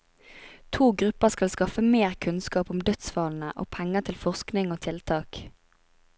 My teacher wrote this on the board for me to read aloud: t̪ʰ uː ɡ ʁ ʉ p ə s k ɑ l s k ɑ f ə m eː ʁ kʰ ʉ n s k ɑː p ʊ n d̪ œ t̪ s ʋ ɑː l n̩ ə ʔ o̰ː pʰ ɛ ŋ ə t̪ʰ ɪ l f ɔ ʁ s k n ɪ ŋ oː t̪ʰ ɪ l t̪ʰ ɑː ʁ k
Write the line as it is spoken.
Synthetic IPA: t̪ʰ uː ɡ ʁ ʉ p ə s k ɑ l s k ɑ f ə m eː ʁ kʰ ʉ n s k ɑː p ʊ m d̪ œ t̪ s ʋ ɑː l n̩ ə ʔ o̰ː pʰ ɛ ŋ ə t̪ʰ ɪ l f ɔ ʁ s k n ɪ ŋ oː t̪ʰ ɪ l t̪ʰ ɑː k